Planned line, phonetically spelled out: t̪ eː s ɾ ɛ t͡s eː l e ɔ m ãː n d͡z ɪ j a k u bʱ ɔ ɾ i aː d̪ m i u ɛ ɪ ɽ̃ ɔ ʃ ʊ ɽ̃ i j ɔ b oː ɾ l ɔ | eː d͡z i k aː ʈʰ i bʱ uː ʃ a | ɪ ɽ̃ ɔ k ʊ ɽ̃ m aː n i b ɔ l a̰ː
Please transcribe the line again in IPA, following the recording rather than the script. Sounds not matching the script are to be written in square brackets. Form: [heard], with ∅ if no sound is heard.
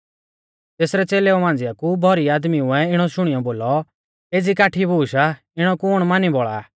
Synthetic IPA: t̪ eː s ɾ ɛ t͡s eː l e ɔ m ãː n d͡z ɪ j a k u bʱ ɔ ɾ i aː d̪ m i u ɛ ɪ ɽ̃ ɔ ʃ ʊ ɽ̃ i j ɔ b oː [∅] l ɔ | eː d͡z i k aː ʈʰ i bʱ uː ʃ a | ɪ ɽ̃ ɔ k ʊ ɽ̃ m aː n i b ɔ [ɭ] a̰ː

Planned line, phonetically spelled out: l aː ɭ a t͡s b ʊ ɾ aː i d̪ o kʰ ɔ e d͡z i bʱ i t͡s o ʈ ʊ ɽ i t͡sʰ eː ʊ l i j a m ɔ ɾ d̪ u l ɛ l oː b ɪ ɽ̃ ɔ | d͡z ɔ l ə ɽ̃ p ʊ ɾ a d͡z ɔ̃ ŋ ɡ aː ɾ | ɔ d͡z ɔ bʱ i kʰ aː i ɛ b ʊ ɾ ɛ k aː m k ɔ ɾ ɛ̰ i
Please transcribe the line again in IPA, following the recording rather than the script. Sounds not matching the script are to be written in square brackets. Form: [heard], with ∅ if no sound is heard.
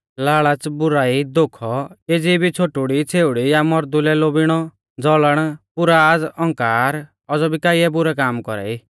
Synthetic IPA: l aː ɭ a t͡s b ʊ ɾ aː i d̪ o kʰ ɔ e d͡z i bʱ i [t͡sʰ] o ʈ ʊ ɽ i t͡sʰ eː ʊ [ɽ] i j a m ɔ ɾ d̪ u l ɛ l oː b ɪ ɽ̃ ɔ | d͡z ɔ l ə ɽ̃ p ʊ ɾ a d͡z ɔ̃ ŋ [k] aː ɾ | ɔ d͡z ɔ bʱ i [k] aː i ɛ b ʊ ɾ ɛ k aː m k ɔ ɾ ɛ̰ i

